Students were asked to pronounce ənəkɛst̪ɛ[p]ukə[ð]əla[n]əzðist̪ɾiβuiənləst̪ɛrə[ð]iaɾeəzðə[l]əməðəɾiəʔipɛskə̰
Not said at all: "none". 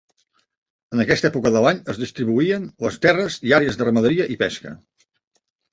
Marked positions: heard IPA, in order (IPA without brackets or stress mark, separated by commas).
p, ð, ɲ, z, r